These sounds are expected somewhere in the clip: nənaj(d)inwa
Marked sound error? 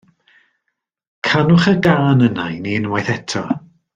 yes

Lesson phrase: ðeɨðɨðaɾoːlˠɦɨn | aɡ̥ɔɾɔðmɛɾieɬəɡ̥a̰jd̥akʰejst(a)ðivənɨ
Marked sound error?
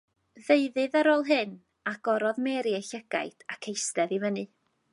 yes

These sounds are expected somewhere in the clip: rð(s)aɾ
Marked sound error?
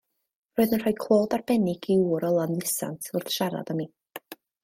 yes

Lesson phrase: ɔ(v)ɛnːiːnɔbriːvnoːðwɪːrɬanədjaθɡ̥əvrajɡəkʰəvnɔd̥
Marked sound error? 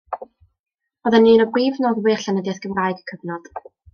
yes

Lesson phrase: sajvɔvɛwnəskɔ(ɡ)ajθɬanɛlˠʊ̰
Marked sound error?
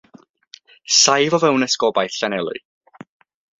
yes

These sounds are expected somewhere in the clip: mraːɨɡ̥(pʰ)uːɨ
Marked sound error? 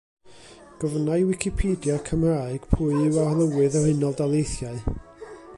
no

